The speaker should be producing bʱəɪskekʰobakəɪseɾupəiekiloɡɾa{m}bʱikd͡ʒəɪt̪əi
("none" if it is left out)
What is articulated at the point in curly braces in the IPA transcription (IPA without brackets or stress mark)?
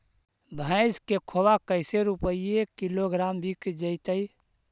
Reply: m